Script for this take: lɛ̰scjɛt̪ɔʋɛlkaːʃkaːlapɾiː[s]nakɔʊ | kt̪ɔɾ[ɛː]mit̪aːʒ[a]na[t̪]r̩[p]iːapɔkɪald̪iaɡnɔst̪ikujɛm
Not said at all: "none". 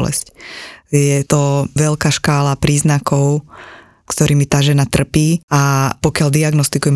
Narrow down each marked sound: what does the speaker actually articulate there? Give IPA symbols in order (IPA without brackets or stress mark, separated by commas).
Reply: z, iː, ɛ, t̪, p